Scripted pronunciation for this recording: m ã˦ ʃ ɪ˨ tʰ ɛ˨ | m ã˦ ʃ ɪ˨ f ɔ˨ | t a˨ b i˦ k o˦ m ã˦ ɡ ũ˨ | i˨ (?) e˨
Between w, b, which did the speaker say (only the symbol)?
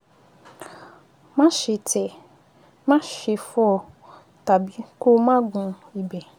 b